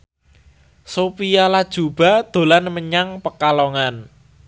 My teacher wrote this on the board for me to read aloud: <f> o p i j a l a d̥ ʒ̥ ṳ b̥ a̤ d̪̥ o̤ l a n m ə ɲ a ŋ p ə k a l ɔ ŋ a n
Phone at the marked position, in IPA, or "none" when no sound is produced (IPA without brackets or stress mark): s